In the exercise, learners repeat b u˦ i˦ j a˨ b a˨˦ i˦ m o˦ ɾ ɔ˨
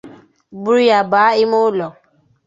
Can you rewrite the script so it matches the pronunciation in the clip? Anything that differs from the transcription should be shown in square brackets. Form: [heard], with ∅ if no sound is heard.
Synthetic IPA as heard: b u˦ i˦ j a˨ b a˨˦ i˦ m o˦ [l] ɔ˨